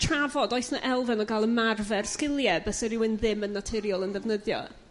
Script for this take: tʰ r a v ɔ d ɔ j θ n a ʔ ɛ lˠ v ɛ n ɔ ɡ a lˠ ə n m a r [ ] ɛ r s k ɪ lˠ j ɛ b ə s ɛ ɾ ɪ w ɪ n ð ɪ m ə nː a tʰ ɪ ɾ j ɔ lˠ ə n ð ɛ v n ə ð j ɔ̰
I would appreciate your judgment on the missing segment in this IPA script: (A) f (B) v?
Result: B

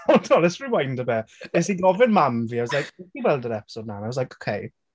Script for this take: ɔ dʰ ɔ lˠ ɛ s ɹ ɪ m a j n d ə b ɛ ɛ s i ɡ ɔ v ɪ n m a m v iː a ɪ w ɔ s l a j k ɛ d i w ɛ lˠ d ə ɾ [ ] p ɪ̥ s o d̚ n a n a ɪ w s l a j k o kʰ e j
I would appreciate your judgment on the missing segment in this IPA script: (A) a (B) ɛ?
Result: B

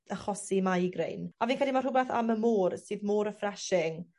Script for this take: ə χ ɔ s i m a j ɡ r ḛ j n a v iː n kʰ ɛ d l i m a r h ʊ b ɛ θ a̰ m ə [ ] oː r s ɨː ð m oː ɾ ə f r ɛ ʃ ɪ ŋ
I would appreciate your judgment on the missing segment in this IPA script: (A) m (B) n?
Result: A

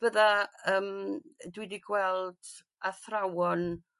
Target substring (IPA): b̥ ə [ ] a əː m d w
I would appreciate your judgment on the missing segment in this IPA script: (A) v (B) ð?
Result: B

